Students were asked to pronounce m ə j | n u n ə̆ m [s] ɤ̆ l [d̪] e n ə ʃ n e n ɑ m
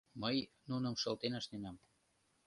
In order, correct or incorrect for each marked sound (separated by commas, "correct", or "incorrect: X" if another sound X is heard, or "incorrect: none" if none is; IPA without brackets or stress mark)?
incorrect: ʃ, incorrect: t̪